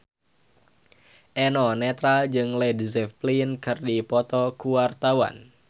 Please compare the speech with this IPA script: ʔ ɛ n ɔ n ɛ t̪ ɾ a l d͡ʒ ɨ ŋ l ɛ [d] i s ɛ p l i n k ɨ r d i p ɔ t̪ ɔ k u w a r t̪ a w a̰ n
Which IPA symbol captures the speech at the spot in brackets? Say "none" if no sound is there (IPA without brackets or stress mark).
d